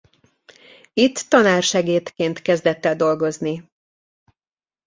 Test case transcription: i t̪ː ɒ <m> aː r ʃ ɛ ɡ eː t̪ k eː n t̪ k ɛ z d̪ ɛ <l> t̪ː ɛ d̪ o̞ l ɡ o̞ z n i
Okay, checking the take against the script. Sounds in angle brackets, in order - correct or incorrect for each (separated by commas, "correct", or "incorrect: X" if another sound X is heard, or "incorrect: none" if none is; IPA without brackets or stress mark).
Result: incorrect: n, incorrect: none